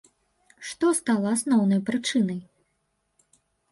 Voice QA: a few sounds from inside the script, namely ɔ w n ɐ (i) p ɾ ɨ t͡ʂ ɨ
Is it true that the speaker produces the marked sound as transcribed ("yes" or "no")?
no